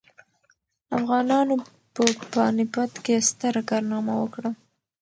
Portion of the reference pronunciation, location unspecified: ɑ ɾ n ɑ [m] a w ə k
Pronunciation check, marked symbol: correct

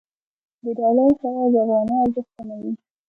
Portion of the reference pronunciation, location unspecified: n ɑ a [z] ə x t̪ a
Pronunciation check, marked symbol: correct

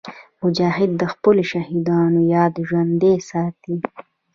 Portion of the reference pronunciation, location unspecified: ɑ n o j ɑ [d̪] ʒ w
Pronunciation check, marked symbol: correct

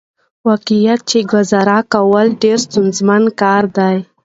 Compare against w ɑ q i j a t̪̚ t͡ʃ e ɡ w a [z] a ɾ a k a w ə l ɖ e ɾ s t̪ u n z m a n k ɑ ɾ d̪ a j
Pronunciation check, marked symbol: correct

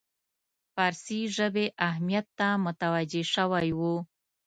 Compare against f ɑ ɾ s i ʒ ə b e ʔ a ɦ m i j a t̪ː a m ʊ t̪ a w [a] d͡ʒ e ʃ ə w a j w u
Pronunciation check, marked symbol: correct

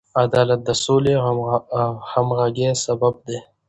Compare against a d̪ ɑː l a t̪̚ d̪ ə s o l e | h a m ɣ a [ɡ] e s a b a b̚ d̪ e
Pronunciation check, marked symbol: correct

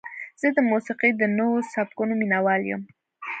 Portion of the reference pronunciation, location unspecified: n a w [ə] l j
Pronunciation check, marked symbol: incorrect: ɑ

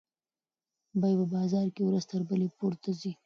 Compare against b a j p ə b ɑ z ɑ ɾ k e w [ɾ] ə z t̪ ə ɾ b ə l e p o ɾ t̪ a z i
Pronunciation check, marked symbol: correct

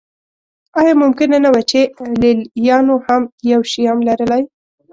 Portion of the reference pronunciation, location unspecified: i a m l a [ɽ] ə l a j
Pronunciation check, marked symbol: incorrect: ɾ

